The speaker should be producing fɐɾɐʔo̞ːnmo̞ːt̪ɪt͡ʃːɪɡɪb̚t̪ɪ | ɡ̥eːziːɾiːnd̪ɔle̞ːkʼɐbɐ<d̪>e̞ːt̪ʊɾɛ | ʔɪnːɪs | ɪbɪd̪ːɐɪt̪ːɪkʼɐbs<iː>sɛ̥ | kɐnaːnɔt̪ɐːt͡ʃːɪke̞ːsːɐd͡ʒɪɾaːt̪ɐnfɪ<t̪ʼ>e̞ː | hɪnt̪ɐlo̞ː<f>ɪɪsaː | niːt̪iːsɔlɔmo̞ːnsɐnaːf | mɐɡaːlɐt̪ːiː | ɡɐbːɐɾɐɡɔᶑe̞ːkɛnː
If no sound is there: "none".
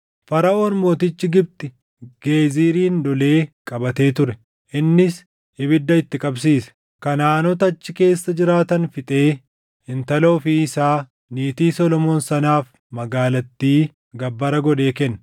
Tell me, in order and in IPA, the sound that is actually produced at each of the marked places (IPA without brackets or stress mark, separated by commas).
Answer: t̪, iː, t̪ʼ, f